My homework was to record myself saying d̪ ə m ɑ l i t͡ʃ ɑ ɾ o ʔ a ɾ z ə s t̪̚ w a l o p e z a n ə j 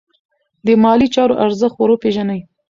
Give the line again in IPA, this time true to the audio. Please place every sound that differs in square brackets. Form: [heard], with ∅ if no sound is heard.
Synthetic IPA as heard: d̪ ə m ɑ l i t͡ʃ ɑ ɾ o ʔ a ɾ z ə [x] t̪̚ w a [ɾ] o p e [ʒ] a n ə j